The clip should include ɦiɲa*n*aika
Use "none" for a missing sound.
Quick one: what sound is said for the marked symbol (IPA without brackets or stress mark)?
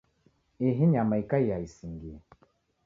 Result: m